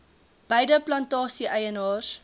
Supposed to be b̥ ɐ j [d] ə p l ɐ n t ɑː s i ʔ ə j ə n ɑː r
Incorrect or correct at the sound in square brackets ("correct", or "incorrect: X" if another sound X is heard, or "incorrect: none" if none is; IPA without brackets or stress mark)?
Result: correct